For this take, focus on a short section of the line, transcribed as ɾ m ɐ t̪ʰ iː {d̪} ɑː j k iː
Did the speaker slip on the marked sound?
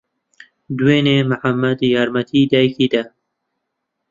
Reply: no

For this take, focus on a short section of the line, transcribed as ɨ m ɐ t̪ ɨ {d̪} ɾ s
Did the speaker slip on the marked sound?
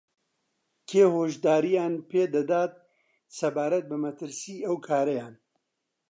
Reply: yes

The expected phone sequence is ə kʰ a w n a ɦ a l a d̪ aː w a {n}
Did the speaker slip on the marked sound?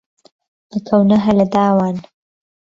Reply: no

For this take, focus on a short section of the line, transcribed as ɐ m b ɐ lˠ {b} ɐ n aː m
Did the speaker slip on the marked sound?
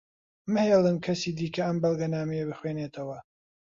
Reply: yes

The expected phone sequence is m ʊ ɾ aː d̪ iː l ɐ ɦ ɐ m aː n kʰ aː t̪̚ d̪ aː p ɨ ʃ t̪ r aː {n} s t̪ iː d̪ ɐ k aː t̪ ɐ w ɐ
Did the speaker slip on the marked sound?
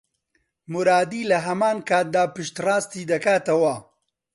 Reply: yes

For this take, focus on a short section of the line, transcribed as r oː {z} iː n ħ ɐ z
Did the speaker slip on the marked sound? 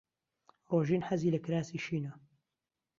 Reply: yes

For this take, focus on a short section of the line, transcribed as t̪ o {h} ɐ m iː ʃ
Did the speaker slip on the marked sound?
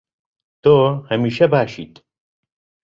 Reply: no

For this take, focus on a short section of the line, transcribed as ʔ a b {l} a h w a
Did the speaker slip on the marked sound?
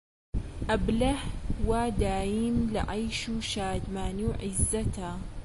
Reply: no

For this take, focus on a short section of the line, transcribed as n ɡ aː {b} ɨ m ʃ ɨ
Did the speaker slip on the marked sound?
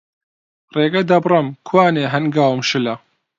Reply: yes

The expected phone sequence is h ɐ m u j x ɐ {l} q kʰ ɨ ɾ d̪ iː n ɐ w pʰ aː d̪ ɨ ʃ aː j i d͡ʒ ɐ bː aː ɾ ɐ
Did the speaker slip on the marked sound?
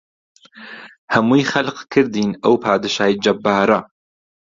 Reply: no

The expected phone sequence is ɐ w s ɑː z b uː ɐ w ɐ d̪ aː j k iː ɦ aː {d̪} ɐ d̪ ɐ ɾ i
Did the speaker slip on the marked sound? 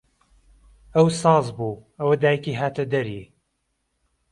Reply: yes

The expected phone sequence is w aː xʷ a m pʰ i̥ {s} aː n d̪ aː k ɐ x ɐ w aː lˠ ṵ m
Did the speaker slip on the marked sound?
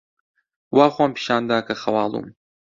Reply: yes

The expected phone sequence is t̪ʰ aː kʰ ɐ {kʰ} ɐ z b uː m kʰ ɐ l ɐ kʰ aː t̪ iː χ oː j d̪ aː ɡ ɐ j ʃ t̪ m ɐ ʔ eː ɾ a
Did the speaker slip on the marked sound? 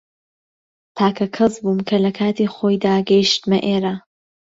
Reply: no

